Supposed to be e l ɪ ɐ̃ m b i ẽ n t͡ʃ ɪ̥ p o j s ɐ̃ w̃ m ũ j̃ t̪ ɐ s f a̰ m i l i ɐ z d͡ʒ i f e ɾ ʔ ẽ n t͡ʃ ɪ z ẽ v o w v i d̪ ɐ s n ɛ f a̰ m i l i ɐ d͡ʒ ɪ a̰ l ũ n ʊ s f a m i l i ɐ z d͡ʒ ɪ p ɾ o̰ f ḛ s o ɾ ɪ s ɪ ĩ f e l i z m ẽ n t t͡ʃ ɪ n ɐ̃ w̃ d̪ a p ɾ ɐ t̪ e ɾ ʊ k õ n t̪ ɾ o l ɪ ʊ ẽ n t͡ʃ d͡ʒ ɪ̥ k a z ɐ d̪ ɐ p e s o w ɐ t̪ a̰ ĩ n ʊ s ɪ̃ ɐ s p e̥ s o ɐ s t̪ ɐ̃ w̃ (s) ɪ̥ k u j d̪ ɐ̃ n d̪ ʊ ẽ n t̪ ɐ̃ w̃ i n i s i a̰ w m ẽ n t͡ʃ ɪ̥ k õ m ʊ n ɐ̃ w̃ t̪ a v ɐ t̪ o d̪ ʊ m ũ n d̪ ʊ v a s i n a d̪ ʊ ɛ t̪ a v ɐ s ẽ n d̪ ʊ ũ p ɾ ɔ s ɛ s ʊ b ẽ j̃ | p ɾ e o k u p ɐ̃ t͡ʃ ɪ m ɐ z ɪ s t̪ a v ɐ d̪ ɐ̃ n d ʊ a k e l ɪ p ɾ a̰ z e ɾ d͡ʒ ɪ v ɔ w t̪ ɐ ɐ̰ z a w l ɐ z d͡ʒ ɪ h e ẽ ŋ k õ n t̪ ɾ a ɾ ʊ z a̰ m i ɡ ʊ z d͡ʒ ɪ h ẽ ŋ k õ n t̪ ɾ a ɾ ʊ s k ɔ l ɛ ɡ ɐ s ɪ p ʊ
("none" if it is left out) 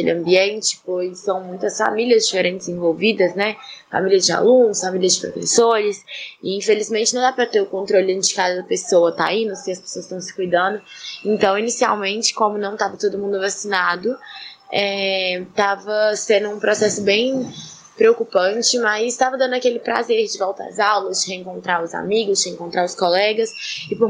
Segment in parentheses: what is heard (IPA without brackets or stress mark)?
s